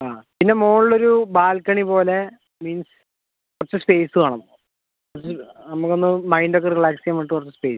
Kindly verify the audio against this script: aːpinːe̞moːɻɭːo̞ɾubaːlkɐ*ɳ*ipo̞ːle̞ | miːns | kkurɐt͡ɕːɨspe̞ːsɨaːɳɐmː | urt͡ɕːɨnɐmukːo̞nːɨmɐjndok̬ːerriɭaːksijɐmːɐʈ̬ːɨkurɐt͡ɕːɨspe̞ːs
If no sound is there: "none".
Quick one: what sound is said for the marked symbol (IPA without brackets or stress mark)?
ɳ